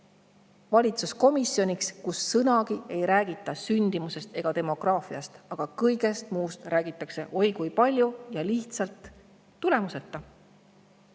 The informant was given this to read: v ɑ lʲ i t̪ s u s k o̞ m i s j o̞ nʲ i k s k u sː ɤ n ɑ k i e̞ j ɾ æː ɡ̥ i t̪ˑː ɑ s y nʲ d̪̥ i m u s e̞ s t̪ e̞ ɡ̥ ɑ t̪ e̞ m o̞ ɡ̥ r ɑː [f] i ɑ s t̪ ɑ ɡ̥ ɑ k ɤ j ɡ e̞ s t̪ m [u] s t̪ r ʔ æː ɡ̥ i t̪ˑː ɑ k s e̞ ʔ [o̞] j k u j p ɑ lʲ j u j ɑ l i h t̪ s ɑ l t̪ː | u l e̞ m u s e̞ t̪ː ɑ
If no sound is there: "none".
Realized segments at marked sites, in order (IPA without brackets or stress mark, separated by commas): f, uː, o̞